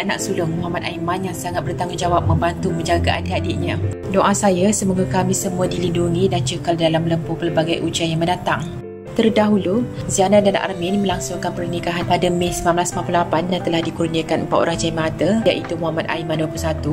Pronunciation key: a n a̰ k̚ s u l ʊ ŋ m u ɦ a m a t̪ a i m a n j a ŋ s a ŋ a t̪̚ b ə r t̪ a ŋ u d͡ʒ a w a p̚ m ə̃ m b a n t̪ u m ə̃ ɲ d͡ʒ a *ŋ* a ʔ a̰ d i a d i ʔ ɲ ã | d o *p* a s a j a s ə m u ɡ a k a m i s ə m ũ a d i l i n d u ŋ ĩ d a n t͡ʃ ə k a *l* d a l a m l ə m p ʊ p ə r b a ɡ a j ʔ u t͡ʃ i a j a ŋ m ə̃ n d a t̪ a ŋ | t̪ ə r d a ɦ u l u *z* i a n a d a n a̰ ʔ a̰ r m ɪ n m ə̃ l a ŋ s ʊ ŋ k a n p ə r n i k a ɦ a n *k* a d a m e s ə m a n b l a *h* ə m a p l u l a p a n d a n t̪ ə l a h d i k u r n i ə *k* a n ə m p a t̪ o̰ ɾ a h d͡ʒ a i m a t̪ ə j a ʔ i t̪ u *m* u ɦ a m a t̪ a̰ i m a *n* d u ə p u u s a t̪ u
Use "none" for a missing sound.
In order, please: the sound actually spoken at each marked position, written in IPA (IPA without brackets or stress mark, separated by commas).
ɡ, ʔ, l, z, p, s, k, m, n